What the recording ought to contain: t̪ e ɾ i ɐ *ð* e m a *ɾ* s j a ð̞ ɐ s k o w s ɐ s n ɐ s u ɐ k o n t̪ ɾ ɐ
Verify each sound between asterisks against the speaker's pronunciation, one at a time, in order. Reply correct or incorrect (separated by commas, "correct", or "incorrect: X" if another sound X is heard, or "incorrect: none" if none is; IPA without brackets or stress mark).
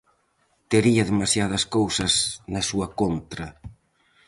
correct, incorrect: none